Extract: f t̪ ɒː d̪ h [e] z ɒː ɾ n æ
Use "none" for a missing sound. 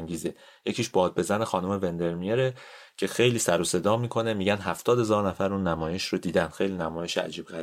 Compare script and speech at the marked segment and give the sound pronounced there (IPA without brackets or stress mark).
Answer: e